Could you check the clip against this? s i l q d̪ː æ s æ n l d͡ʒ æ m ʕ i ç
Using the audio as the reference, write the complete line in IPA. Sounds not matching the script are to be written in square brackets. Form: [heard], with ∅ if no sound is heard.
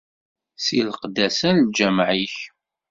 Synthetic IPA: s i l q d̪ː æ s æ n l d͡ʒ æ m ʕ i ç